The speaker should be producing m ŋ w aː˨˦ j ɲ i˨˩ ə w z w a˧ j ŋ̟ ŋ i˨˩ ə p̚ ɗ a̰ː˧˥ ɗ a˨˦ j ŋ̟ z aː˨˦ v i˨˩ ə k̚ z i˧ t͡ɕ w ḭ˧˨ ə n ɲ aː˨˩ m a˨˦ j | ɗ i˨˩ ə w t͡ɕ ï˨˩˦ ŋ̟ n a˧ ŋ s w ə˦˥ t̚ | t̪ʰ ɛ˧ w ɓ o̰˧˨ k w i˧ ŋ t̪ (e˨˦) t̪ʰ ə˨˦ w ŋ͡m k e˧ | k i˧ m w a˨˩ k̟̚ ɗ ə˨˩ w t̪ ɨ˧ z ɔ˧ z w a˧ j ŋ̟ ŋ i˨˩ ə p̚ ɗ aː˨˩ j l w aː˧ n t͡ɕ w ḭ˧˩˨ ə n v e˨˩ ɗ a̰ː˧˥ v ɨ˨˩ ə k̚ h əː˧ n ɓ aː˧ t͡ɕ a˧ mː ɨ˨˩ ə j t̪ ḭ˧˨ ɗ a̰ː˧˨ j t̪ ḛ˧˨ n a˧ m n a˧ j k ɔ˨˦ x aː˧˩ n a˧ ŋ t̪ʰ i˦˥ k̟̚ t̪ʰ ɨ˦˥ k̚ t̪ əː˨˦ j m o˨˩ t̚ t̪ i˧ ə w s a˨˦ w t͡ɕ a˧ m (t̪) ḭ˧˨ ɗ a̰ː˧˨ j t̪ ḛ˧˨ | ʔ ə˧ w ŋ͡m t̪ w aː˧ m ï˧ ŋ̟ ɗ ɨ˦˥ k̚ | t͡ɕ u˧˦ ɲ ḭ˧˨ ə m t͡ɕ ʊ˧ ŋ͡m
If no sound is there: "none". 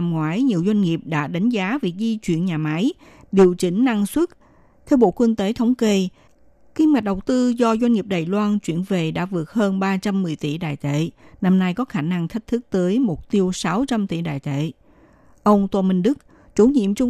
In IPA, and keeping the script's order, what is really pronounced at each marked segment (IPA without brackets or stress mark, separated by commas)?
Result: e˨˦, t̪